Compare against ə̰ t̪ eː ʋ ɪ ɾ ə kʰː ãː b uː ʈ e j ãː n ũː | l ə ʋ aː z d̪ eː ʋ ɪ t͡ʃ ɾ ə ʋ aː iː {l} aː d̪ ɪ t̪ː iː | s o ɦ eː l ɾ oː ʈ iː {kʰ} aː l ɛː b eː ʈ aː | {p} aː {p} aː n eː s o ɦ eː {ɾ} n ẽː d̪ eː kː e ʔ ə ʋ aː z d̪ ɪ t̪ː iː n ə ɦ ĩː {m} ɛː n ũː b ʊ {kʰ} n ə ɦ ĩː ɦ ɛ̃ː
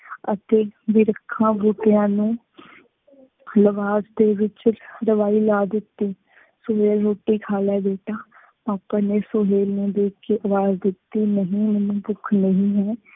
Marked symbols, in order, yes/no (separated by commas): yes, yes, yes, yes, no, yes, yes